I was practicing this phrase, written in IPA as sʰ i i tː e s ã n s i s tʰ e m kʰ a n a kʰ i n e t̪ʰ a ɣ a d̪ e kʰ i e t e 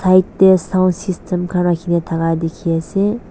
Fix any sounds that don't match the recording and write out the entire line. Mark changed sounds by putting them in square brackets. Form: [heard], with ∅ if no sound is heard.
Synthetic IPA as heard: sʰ [a] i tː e s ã n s i s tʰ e m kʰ a n a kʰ i n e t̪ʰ a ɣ a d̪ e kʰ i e [s] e